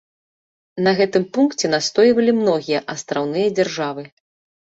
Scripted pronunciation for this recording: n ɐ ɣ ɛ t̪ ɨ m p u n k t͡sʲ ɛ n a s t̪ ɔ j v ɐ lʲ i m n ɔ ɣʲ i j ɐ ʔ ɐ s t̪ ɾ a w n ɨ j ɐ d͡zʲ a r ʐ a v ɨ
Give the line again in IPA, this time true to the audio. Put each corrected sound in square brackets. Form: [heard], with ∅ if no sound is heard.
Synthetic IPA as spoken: n ɐ ɣ ɛ t̪ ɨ m p u n k t͡sʲ ɛ n a s t̪ ɔ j v ɐ lʲ i m n ɔ ɣʲ i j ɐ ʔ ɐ s t̪ ɾ a w n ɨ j ɐ d͡zʲ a r ʐ a v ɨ